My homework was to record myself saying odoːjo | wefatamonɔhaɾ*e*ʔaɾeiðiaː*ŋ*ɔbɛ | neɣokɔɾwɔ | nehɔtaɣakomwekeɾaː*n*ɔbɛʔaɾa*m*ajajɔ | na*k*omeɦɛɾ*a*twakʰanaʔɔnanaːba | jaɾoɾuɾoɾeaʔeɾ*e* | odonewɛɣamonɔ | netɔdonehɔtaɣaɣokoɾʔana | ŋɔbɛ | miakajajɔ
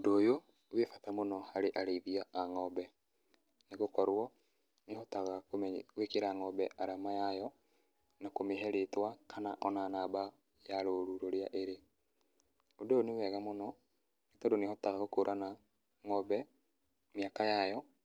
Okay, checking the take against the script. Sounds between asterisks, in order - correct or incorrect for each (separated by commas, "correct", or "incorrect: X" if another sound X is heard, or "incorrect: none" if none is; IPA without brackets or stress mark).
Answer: correct, correct, incorrect: ŋ, correct, correct, incorrect: e, correct